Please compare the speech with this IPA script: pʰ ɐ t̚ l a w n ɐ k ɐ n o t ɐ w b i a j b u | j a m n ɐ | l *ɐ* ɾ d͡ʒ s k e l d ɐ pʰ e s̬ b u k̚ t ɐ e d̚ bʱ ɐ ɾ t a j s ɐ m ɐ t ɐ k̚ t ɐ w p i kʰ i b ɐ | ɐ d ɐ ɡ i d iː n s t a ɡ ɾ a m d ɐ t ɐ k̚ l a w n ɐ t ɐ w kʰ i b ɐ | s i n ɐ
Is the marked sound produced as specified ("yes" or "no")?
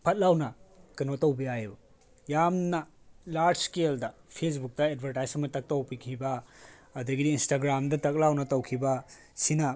no